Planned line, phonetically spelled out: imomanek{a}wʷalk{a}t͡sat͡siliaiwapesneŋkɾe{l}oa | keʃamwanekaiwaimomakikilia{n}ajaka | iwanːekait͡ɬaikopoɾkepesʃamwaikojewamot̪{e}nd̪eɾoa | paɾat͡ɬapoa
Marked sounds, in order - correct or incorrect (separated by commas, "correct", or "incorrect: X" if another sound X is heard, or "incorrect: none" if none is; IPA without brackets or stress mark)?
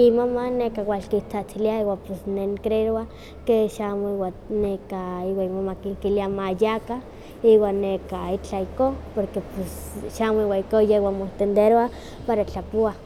correct, incorrect: i, incorrect: ɾ, incorrect: m, correct